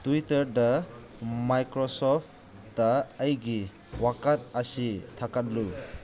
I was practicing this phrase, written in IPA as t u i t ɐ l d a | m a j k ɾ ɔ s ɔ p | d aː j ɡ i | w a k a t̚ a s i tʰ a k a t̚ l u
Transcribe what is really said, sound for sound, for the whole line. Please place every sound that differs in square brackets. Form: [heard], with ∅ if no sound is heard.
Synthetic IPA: t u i t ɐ [ɾ] d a | m a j k ɾ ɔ s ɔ p | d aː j ɡ i | w a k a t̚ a s i tʰ a k a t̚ l u